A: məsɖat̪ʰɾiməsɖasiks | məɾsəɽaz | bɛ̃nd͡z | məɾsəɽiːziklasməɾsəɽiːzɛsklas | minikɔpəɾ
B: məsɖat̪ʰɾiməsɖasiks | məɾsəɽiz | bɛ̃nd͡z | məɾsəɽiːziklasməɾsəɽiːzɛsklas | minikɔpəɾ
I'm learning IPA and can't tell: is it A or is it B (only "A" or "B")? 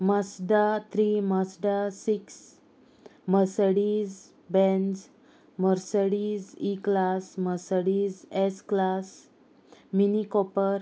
B